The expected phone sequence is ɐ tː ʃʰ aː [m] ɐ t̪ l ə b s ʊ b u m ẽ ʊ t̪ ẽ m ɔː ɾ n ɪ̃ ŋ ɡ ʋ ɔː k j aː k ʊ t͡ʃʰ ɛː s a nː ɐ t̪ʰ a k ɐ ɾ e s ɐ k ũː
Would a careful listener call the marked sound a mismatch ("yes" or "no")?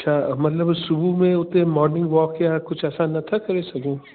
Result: no